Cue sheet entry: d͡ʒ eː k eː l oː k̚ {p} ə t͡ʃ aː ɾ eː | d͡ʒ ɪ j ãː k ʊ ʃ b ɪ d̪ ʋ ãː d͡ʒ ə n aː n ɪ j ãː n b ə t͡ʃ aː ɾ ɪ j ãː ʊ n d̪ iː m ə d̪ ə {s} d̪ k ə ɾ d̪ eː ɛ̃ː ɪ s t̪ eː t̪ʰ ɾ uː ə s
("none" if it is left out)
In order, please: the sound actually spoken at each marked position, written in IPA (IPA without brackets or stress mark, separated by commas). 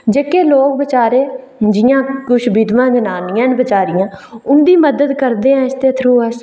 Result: b, none